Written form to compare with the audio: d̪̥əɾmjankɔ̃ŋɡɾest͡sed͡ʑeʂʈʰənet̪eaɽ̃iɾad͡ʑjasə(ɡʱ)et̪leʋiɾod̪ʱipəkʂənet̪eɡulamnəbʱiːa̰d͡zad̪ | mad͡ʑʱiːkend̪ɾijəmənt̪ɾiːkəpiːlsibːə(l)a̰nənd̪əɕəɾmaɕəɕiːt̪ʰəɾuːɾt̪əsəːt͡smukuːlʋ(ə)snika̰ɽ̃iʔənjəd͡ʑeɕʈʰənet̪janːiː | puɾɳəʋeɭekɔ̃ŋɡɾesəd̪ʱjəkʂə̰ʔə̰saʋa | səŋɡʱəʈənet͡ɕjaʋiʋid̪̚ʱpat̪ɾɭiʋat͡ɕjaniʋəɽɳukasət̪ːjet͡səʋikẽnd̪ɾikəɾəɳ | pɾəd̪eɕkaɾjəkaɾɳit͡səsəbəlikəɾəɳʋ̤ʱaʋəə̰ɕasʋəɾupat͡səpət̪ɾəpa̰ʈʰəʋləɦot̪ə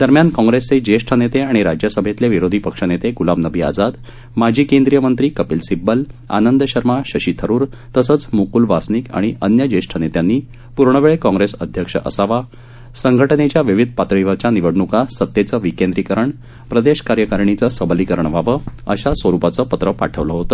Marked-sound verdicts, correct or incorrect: incorrect, correct, incorrect

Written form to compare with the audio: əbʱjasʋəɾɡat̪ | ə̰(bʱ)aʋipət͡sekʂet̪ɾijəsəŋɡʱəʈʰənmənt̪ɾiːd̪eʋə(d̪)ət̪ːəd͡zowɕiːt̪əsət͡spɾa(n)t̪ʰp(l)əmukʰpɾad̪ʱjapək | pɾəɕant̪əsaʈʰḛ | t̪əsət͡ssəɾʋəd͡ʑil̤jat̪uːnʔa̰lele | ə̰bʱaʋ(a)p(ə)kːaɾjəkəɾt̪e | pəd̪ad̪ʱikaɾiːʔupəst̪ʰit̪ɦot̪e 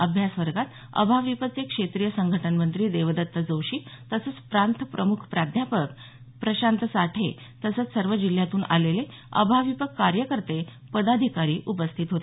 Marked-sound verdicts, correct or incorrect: correct, correct, correct, incorrect, incorrect, correct

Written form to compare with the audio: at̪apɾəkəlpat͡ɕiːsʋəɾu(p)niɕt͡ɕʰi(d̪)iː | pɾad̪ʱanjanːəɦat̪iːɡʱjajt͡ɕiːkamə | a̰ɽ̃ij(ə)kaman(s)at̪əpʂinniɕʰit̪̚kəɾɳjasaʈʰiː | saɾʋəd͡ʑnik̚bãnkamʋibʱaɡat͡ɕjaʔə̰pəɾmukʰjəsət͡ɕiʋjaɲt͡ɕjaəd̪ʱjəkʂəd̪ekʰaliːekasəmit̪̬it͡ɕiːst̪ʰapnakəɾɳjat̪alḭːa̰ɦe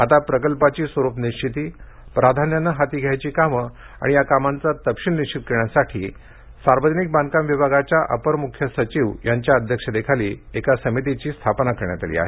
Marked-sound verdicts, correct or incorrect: correct, incorrect, incorrect, incorrect

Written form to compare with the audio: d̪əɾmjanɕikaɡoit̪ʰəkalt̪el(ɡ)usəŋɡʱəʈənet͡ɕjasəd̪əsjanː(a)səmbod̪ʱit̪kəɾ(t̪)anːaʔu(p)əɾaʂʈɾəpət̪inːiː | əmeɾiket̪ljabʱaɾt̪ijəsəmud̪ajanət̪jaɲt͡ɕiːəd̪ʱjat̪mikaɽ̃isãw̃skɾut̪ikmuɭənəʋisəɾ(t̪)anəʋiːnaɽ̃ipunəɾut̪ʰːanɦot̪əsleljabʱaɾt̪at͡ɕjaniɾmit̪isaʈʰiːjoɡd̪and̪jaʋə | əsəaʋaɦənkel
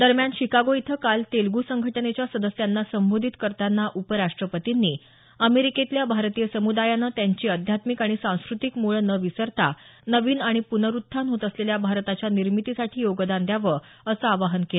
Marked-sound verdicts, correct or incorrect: correct, correct, correct, correct, correct

